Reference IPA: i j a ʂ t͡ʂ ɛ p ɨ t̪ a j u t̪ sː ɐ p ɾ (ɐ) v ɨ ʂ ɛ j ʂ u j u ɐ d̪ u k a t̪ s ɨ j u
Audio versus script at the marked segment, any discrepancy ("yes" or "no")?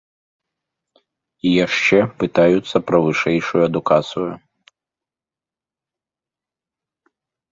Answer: no